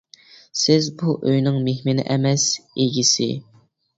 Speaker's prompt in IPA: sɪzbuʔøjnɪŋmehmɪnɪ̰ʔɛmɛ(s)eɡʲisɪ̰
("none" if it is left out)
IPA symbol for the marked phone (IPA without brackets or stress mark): s